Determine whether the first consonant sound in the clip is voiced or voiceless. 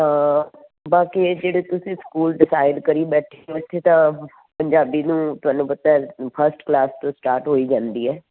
voiced